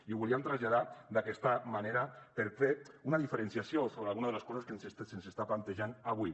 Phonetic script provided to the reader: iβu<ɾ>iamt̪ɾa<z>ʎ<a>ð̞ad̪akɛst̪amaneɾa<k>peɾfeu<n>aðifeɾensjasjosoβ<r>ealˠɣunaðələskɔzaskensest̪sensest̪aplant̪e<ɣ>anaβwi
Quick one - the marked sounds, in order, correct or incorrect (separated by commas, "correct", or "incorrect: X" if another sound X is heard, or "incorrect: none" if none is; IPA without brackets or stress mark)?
incorrect: l, correct, correct, incorrect: none, correct, incorrect: ɾ, incorrect: ʒ